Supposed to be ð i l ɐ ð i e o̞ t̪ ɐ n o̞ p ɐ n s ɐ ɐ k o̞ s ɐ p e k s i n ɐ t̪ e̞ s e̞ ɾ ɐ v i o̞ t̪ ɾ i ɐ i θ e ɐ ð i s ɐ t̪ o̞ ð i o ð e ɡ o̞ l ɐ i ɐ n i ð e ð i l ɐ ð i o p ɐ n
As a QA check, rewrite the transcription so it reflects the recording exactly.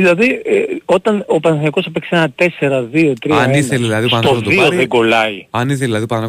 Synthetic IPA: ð i l ɐ ð i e o̞ t̪ ɐ n o̞ p ɐ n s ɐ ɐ k o̞ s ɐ p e k s e n ɐ t̪ e̞ s e̞ ɾ ɐ ð i o̞ t̪ ɾ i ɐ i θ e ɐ ð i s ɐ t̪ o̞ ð i o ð e ɡ o̞ l ɐ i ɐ n i θ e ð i l ɐ ð i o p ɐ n